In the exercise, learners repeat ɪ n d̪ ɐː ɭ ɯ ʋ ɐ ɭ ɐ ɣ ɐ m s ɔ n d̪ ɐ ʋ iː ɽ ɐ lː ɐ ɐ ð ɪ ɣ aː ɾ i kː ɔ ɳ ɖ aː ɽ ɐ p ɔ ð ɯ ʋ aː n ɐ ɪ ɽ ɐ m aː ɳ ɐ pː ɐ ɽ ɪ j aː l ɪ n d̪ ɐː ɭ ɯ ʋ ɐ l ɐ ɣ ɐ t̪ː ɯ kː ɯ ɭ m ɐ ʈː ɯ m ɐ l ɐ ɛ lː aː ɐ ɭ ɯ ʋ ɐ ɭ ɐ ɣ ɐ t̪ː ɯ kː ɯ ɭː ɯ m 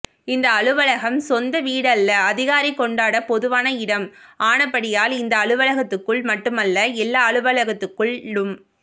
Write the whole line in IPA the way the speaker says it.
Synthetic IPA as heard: ɪ n d̪ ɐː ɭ ɯ ʋ ɐ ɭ ɐ ɣ ɐ m s ɔ n d̪ ɐ ʋ iː ɽ ɐ lː ɐ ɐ ð ɪ ɣ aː ɾ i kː ɔ ɳ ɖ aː ɽ ɐ p ɔ ð ɯ ʋ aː n ɐ ɪ ɽ ɐ m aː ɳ ɐ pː ɐ ɽ ɪ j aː l ɪ n d̪ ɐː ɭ ɯ ʋ ɐ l ɐ ɣ ɐ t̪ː ɯ kː ɯ ɭ m ɐ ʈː ɯ m ɐ lː ɐ ɛ lː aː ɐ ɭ ɯ ʋ ɐ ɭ ɐ ɣ ɐ t̪ː ɯ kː ɯ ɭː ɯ m